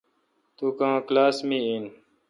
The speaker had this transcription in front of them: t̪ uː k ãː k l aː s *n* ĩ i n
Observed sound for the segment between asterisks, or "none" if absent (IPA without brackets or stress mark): m